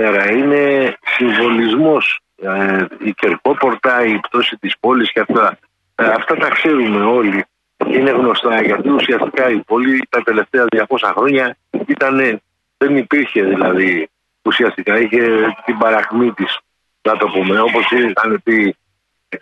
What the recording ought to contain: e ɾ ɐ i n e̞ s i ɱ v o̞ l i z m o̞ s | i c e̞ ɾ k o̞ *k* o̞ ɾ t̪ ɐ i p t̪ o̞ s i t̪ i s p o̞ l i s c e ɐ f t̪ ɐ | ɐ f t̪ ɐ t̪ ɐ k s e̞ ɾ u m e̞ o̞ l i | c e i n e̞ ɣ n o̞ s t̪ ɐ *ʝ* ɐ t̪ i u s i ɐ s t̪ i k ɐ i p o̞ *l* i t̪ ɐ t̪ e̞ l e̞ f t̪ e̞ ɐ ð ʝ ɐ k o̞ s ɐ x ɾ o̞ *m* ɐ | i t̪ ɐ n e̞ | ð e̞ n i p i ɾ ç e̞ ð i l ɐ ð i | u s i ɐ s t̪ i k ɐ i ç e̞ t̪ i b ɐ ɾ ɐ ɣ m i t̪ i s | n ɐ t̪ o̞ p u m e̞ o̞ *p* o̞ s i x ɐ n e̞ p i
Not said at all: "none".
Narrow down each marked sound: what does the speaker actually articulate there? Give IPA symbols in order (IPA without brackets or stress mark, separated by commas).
p, ʝ, l, ɲ, p